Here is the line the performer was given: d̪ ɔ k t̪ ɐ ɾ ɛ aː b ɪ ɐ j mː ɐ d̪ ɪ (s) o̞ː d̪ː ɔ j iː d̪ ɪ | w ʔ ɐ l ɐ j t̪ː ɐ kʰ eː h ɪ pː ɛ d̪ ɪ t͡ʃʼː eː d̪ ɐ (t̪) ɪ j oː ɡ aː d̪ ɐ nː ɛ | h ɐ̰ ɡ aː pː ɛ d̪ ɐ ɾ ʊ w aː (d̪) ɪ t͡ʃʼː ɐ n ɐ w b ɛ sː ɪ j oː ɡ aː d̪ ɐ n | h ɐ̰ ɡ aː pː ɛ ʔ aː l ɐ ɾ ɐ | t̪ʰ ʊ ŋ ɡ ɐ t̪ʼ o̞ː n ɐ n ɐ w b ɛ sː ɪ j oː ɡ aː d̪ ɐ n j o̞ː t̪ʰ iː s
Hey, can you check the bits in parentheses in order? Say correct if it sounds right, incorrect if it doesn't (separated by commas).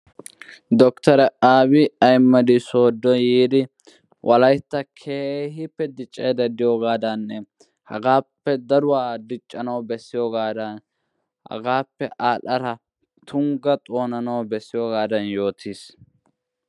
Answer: correct, incorrect, correct